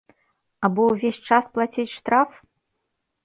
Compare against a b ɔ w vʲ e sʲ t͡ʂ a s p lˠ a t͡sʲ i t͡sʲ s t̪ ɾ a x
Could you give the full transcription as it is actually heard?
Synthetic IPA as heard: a b ɔ w vʲ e sʲ t͡ʂ a s p lˠ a t͡sʲ i t͡sʲ ʂ t̪ ɾ a f